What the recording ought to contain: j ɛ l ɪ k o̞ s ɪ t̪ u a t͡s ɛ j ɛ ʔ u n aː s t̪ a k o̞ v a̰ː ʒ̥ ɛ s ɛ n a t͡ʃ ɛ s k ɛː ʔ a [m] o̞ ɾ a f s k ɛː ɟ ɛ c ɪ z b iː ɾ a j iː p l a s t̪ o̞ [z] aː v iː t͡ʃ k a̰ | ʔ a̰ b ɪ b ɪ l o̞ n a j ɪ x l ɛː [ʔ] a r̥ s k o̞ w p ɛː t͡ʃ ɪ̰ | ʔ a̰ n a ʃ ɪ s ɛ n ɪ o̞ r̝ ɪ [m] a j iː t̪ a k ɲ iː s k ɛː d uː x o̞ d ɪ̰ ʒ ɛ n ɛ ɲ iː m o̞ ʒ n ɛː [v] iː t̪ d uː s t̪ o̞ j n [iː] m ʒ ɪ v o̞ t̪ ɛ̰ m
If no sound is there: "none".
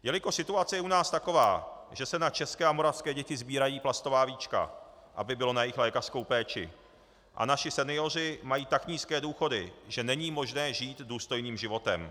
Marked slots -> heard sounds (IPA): m, v, k, m, ʒ, iː

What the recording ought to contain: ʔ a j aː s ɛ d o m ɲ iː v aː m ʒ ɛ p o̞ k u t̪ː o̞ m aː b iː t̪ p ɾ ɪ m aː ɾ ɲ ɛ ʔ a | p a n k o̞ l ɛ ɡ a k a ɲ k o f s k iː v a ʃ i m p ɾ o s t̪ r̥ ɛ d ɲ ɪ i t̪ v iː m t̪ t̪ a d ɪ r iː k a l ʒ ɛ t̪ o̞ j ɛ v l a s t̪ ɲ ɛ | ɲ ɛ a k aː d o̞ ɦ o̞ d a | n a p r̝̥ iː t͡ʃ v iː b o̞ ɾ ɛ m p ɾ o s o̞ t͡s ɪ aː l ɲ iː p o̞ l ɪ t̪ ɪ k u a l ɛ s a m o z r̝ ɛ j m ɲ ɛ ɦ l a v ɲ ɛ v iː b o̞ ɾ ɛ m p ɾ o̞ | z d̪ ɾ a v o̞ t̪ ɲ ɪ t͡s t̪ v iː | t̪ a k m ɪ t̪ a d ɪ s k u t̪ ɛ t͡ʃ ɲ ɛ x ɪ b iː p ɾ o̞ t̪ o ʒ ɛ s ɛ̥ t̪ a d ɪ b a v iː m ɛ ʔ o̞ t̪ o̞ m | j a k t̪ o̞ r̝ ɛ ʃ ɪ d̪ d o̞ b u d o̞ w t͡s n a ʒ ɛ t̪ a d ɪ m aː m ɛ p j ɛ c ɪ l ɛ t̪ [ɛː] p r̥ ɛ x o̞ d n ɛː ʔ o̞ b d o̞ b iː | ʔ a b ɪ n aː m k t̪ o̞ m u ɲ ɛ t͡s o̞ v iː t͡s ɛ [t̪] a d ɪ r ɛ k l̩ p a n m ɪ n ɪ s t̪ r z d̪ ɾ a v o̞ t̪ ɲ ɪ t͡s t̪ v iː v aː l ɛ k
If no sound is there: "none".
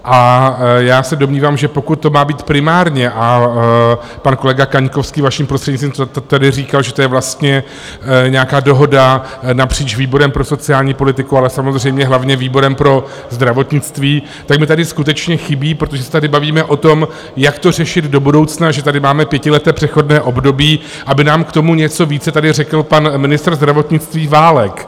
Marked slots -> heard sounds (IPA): ɛː, t̪

